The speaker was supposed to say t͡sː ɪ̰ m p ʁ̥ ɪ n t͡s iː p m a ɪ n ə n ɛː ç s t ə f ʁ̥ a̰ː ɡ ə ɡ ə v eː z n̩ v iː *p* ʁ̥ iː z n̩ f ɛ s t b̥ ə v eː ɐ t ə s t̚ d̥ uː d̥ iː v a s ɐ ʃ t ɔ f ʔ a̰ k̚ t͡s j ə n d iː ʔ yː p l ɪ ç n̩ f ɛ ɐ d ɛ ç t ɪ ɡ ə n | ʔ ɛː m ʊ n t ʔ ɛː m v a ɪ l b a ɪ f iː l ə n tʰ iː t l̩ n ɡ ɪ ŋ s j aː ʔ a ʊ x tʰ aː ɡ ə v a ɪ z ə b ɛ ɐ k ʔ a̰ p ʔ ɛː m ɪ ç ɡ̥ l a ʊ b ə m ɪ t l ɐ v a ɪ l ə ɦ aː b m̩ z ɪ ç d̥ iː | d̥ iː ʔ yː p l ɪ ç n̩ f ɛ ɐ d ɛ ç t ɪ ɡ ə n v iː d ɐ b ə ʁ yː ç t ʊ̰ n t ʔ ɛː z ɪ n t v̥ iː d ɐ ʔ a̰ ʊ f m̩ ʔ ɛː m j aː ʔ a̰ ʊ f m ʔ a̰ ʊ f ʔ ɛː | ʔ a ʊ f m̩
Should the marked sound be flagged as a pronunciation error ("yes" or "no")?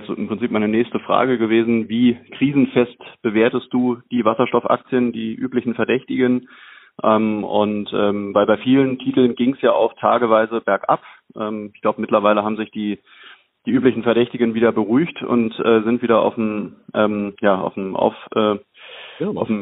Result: yes